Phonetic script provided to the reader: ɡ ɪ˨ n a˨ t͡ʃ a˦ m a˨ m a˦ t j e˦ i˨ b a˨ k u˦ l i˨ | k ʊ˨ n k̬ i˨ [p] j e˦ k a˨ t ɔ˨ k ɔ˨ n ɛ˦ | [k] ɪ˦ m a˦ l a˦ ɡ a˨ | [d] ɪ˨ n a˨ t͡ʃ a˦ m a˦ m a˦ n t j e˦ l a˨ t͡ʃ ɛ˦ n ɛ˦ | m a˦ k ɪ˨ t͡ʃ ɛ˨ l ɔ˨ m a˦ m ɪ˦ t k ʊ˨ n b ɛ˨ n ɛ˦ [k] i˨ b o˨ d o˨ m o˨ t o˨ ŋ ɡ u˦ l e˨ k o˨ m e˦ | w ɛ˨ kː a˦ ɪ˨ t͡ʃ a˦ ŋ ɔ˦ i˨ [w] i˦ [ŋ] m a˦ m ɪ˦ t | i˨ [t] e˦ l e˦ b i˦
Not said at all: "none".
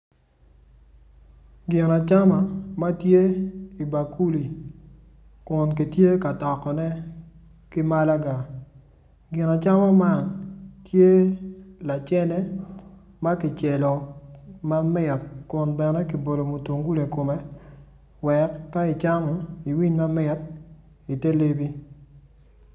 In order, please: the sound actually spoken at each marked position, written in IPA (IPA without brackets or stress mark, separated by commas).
t, k, ɡ, k, w, ɲ, t